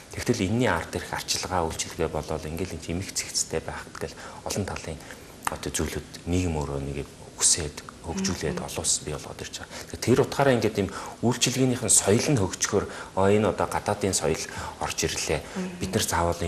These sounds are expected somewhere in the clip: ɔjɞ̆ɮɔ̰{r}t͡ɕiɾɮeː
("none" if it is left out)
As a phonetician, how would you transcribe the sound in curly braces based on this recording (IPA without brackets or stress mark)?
r